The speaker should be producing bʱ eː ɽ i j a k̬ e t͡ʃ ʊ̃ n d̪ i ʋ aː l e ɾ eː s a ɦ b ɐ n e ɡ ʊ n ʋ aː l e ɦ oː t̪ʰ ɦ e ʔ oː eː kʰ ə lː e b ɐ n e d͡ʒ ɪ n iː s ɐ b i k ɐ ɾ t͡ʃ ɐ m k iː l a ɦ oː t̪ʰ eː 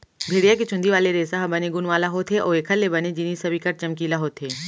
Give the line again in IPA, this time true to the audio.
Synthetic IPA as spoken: bʱ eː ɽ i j a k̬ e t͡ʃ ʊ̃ n d̪ i ʋ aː l e ɾ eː s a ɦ b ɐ n e ɡ ʊ n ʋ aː l a ɦ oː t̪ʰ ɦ e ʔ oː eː kʰ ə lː e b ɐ n e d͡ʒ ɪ n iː s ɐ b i k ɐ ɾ t͡ʃ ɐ m k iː l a ɦ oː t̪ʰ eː